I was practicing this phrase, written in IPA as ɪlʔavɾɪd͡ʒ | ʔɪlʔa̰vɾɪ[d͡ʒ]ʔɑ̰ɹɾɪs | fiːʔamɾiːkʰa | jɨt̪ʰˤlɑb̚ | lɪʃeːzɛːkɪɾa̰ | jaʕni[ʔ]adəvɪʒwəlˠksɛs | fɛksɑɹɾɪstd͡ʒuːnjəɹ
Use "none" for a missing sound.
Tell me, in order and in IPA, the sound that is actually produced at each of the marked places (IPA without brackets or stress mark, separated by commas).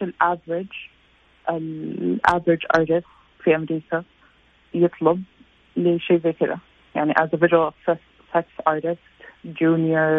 d͡ʒ, ʔ